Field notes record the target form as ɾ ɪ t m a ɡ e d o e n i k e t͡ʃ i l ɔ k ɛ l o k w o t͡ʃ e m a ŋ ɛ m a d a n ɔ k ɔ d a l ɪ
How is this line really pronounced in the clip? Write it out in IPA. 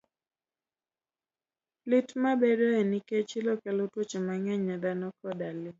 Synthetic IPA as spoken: l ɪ t m a b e d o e n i k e t͡ʃ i l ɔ k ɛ l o t w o t͡ʃ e m a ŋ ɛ ɲ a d a n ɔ k ɔ d a l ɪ